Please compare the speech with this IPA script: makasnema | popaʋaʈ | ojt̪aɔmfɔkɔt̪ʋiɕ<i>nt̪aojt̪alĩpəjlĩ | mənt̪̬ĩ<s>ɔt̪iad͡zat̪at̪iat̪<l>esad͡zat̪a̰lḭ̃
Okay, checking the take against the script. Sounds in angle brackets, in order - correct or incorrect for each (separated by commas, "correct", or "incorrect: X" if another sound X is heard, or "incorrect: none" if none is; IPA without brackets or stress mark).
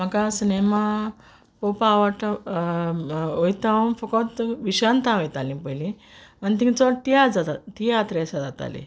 incorrect: a, incorrect: t͡s, incorrect: ɾ